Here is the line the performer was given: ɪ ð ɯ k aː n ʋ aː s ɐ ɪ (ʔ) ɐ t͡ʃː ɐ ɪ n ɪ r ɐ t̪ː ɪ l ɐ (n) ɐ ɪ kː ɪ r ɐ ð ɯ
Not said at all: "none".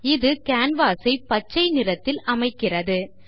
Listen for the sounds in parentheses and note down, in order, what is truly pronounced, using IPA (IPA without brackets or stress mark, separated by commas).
p, m